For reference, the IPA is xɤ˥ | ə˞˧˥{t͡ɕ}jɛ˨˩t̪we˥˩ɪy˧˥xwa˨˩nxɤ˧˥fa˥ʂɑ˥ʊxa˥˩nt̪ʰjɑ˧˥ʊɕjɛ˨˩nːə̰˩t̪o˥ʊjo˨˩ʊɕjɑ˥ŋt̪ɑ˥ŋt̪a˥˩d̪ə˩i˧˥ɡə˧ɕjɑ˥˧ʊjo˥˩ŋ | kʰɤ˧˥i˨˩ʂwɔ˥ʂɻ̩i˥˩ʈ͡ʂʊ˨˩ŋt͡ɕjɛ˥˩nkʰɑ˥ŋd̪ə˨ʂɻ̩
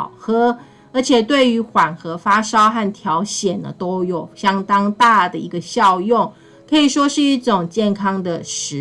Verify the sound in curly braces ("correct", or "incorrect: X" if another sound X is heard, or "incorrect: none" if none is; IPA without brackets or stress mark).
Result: incorrect: t͡ɕʰ